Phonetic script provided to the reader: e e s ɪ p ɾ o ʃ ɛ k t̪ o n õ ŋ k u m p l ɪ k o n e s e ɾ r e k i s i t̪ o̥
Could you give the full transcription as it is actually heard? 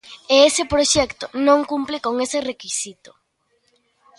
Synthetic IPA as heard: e e s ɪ p ɾ o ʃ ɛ k t̪ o n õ ŋ k u m p l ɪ k o ŋ e s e r e k i s i t̪ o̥